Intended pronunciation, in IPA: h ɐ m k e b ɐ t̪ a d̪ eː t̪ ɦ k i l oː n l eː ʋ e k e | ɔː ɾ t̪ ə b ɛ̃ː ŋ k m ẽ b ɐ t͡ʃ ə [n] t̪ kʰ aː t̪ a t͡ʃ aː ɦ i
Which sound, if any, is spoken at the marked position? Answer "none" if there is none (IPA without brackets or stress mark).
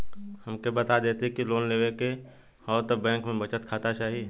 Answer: none